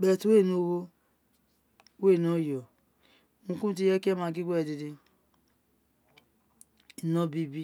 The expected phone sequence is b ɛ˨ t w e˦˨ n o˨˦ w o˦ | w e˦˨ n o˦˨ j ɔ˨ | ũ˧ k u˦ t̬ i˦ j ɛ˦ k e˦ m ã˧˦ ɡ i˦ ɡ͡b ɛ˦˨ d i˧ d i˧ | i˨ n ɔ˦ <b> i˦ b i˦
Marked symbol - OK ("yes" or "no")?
yes